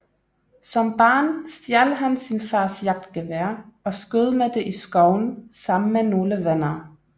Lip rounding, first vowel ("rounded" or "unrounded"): rounded